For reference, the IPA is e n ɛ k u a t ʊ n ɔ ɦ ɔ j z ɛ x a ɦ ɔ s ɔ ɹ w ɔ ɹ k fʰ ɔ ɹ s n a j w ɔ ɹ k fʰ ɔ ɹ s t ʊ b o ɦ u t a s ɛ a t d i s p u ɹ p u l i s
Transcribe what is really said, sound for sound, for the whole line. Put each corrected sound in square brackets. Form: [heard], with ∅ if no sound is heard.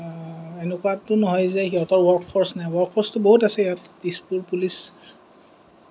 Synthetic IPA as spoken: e n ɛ k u a t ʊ n ɔ ɦ ɔ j z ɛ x [i] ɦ ɔ [t] ɔ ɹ w ɔ ɹ k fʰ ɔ ɹ s n a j w ɔ ɹ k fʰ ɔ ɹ s t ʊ b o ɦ u t a s ɛ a t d i s p u ɹ p u l i s